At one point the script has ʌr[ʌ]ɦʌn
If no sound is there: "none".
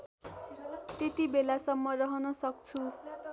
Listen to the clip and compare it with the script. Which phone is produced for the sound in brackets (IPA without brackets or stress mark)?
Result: ʌ